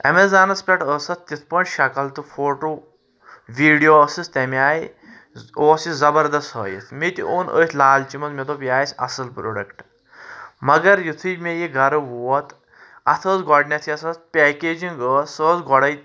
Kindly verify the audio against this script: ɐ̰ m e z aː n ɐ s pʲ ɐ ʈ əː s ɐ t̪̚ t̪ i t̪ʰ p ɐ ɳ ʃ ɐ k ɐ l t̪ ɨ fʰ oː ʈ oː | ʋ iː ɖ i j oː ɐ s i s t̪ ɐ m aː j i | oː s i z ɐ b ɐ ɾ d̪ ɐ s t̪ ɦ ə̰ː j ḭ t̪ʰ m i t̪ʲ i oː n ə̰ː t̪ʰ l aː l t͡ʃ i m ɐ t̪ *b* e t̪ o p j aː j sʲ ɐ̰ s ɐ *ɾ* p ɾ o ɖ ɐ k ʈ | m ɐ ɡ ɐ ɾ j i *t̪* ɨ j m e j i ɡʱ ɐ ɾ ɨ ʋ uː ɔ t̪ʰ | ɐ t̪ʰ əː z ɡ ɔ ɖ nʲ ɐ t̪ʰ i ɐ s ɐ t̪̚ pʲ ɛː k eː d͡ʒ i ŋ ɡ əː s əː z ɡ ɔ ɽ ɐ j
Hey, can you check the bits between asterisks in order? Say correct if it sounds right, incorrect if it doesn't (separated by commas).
incorrect, incorrect, incorrect